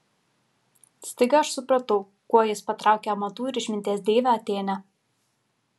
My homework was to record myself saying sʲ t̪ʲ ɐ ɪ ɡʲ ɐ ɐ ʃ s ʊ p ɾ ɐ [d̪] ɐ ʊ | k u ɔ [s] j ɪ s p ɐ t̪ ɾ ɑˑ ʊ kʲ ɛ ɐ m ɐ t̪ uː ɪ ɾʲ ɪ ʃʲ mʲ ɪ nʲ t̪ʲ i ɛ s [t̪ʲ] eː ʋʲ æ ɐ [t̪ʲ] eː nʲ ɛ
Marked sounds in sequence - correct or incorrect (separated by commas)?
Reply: incorrect, incorrect, incorrect, correct